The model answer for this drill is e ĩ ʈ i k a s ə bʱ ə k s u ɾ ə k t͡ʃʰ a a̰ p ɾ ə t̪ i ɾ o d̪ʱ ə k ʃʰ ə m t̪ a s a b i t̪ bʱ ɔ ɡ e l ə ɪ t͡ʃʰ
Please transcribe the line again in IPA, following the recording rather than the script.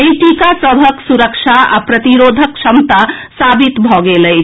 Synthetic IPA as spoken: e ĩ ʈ i k a s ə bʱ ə k s u ɾ ə k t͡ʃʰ a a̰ p ɾ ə t̪ i ɾ o d̪ʱ ə k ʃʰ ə m t̪ a s a b i t̪ bʱ ɔ ɡ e l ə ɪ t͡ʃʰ